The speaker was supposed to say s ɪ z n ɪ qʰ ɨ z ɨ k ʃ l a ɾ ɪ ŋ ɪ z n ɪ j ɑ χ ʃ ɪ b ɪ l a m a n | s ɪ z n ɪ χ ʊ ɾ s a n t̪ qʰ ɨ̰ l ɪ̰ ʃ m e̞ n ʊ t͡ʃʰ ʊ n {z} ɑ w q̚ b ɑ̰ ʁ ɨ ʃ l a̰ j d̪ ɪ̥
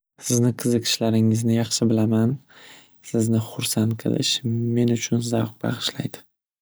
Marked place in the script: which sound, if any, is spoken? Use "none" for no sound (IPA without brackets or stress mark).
z